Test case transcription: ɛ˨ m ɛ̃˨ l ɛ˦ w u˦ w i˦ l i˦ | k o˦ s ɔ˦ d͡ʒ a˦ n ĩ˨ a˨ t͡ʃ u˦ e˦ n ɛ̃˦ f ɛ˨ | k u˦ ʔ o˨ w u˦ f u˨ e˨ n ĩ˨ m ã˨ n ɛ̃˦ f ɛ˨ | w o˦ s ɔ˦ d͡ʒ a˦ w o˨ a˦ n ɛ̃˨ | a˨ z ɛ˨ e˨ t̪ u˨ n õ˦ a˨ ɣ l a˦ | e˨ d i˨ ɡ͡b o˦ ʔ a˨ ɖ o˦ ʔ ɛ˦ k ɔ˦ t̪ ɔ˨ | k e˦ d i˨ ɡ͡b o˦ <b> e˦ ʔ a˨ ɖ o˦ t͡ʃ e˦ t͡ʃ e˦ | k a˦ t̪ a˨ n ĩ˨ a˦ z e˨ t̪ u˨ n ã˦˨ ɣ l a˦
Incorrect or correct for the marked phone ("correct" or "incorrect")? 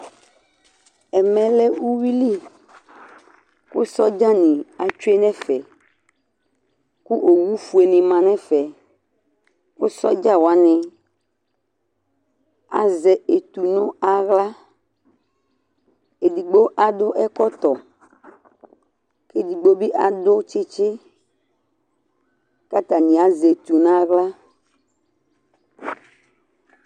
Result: correct